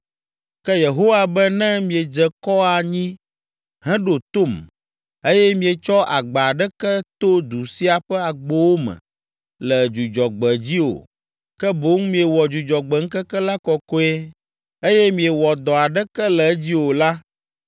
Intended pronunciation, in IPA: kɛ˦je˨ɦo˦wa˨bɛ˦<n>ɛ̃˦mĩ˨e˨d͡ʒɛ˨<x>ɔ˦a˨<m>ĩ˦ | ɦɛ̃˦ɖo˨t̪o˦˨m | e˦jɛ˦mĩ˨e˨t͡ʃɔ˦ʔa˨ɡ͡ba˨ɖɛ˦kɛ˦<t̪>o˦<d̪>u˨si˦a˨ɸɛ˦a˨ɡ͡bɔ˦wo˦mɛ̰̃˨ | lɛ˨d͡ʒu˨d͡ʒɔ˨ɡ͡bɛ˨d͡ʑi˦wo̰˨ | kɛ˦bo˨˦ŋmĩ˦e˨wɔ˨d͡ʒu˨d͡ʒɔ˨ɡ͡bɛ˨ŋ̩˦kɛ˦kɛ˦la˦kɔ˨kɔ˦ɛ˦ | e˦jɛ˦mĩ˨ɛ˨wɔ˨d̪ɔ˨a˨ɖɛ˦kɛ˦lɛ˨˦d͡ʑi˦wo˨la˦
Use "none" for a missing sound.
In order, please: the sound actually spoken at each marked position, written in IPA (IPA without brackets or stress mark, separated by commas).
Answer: n, k, ɲ, t̪, d̪